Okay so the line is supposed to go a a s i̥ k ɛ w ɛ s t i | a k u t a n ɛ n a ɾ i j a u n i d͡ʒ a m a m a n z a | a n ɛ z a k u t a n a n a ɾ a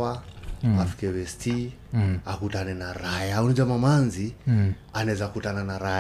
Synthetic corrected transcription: a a f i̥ k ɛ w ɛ s t i | a k u t a n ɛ n a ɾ a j a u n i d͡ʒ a m a m a n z i | a n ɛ z a k u t a n a n a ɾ a